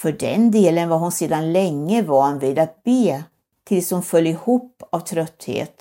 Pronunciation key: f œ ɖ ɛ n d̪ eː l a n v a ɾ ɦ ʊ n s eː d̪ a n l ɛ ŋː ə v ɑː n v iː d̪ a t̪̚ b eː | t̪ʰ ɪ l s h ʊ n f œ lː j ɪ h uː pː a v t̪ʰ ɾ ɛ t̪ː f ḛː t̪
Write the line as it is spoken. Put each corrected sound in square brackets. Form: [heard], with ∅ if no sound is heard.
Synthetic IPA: f œ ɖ ɛ n d̪ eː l [ə] n v a ɾ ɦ ʊ n s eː d̪ a n l ɛ ŋː ə v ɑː n v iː d̪ a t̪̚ b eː | t̪ʰ ɪ l s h ʊ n f œ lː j ɪ h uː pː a v t̪ʰ ɾ [œ] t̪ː [h] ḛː t̪